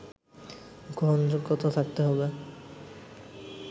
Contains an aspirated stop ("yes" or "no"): yes